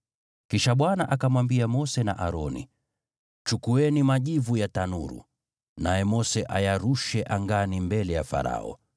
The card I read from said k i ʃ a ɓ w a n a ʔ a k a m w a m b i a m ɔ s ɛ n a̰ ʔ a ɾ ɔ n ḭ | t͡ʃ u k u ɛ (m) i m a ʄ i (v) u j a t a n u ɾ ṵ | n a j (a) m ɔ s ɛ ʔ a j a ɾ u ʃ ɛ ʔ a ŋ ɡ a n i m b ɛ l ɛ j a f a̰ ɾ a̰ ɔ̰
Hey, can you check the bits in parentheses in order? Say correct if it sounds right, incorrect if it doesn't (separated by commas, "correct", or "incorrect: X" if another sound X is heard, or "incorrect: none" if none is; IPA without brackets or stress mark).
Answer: incorrect: n, correct, incorrect: ɛ